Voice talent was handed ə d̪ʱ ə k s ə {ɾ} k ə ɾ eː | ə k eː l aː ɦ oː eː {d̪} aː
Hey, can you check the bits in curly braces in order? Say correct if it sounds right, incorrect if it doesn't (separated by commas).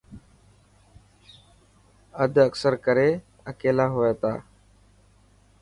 correct, incorrect